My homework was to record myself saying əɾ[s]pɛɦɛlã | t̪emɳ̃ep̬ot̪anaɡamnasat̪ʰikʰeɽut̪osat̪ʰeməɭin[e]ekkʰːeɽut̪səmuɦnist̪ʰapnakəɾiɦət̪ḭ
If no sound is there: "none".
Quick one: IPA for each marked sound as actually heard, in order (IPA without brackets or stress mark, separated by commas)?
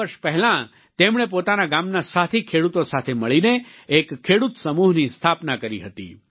ʃ, e